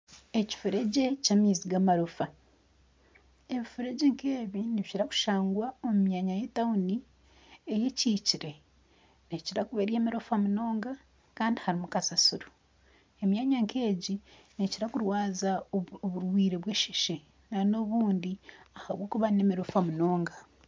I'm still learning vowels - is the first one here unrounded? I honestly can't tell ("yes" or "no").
yes